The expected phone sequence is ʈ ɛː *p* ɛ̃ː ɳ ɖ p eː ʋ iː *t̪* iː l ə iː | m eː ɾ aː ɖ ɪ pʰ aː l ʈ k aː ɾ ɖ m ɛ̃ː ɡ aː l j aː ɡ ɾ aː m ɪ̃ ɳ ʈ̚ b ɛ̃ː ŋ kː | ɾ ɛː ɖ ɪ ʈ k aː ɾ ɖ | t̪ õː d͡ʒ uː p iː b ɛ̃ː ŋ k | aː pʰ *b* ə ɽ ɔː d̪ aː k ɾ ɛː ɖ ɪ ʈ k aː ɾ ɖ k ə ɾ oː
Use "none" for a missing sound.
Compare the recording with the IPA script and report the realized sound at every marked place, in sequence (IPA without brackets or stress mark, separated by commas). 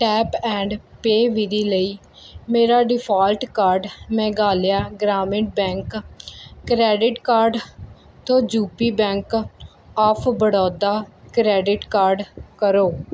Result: p, d̪, b